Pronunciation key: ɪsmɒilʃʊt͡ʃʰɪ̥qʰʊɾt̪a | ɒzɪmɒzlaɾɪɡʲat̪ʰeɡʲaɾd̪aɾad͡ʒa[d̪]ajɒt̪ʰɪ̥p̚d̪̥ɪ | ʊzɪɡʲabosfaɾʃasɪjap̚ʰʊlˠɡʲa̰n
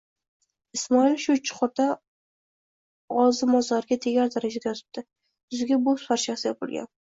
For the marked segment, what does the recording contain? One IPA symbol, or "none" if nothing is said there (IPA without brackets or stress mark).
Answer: d̪